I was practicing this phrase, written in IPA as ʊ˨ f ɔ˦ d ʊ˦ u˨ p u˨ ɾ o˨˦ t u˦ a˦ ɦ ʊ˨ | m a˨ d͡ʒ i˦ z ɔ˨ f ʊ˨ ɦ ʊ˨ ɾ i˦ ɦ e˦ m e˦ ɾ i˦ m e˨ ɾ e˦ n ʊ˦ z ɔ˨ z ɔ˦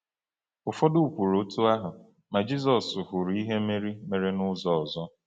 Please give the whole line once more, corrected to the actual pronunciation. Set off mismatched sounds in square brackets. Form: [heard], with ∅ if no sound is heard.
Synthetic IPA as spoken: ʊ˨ f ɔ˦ d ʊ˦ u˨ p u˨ ɾ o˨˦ t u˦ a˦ ɦ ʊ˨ | m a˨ d͡ʒ i˦ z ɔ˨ [s] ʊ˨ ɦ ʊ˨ ɾ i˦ ɦ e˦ m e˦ ɾ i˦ m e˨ ɾ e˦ n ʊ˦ z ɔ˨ z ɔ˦